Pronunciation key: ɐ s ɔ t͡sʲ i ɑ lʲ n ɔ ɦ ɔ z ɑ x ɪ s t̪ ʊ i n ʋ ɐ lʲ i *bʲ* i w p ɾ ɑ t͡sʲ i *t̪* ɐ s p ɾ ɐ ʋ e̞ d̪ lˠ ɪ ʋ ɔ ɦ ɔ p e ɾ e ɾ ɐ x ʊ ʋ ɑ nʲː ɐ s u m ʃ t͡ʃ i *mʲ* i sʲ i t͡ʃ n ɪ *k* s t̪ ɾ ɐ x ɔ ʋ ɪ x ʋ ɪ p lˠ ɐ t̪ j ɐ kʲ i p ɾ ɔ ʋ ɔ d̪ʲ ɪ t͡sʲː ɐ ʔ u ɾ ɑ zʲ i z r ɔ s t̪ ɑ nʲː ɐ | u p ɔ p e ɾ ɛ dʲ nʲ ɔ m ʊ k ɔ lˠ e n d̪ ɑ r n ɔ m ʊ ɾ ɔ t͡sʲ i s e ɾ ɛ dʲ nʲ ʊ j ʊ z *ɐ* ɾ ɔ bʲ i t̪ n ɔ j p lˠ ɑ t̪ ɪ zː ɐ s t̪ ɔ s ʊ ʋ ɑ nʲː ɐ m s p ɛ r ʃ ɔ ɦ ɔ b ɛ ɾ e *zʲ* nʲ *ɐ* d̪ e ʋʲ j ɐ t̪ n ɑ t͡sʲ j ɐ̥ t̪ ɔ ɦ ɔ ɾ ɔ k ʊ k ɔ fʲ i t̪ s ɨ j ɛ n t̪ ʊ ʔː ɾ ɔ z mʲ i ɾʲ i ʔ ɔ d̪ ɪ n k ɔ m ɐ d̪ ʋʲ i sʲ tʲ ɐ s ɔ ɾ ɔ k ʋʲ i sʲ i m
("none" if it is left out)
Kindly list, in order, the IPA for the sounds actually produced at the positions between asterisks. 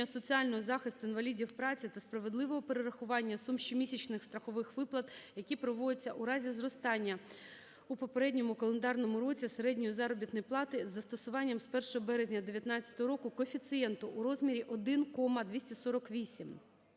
dʲ, t̪, mʲ, x, ɑ, zʲ, ɐ

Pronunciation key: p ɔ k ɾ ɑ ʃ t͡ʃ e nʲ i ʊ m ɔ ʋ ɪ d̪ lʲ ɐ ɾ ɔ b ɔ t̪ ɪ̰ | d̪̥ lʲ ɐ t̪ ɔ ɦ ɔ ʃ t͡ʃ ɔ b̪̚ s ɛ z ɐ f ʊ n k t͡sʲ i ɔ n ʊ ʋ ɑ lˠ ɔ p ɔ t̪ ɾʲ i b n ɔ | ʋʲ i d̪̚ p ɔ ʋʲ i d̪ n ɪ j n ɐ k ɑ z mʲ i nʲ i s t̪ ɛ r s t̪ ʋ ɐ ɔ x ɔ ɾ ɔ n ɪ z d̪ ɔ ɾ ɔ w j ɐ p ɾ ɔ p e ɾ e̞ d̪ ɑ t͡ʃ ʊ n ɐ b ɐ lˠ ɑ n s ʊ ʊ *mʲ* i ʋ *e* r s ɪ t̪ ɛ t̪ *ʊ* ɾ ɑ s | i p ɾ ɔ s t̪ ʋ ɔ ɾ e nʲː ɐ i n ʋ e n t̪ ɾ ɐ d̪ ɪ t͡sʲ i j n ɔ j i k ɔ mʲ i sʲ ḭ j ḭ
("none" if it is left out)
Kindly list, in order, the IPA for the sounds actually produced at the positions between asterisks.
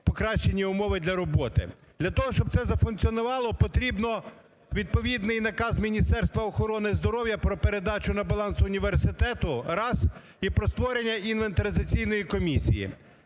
nʲ, e, ʊ

